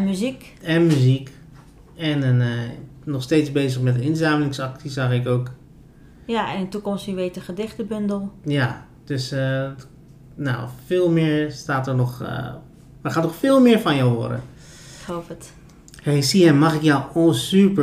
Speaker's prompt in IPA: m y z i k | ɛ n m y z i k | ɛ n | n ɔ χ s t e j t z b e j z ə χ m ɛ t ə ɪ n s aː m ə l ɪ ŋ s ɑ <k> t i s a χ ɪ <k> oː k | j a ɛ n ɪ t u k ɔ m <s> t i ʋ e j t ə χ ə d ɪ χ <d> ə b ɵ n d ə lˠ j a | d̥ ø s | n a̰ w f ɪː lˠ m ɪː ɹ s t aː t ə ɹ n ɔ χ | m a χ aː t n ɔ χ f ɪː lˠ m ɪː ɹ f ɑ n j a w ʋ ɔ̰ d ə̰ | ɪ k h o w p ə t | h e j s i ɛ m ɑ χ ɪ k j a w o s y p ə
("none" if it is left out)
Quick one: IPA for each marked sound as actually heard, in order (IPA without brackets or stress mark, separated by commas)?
k, k, s, t